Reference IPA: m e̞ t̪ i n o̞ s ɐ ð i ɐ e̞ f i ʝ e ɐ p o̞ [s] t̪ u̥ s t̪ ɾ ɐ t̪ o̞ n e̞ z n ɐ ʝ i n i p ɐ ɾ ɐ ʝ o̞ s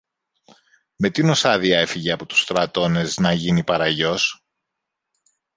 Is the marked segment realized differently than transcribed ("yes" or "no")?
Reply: yes